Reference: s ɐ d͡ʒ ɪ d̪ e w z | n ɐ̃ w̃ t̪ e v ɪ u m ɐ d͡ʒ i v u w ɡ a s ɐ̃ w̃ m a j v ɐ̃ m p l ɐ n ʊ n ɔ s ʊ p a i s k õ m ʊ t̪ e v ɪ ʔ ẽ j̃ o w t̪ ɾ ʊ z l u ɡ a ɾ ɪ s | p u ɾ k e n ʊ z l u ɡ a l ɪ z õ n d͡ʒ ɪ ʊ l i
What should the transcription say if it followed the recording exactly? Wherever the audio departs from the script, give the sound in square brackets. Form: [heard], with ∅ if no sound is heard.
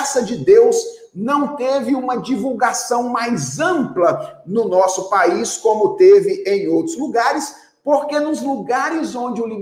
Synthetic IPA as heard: s ɐ d͡ʒ ɪ d̪ e w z | n ɐ̃ w̃ t̪ e v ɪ [ũ] m ɐ d͡ʒ i v u w ɡ a s ɐ̃ w̃ m a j [z] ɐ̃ m p l ɐ n ʊ n ɔ s ʊ p a i s k õ m ʊ t̪ e v ɪ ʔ ẽ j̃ o w t̪ ɾ ʊ z l u ɡ a ɾ ɪ s | p [o] ɾ k e n ʊ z l u ɡ a [ɾ] ɪ z õ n d͡ʒ ɪ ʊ l i